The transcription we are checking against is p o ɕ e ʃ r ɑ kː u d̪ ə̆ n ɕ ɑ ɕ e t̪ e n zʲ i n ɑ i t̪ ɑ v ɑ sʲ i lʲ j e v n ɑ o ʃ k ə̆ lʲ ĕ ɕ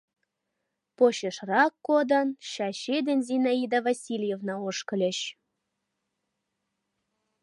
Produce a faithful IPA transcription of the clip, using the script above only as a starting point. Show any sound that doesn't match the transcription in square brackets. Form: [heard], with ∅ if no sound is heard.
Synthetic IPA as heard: p o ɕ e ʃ r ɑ kː [o] d̪ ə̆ n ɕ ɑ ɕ e [d̪] e n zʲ i n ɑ i [d̪] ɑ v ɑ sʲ i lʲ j e v n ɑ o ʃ k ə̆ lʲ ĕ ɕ